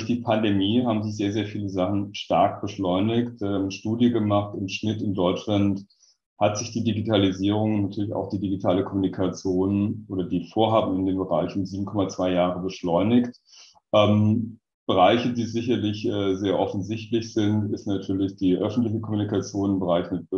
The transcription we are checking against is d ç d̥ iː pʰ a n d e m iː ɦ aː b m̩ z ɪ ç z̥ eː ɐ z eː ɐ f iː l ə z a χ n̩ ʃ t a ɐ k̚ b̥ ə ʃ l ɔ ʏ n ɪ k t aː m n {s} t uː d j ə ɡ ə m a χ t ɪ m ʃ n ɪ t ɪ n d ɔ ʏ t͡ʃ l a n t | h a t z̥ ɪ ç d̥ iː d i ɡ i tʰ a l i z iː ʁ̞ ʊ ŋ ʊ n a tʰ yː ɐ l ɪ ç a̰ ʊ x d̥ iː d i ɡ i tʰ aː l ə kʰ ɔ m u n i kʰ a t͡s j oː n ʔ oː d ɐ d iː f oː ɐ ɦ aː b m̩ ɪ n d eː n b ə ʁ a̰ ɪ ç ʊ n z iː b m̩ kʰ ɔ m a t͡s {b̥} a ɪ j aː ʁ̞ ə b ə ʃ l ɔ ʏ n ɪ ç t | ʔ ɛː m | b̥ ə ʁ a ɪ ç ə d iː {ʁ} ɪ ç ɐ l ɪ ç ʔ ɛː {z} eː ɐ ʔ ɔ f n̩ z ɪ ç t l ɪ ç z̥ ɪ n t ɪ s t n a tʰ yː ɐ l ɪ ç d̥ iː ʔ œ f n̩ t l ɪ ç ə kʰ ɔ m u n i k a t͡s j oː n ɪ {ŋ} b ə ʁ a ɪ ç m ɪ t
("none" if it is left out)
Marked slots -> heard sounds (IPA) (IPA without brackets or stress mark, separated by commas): ʃ, v̥, z, z, m